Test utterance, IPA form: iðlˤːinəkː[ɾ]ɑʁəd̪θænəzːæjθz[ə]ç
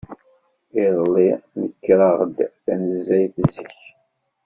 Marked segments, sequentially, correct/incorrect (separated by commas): correct, correct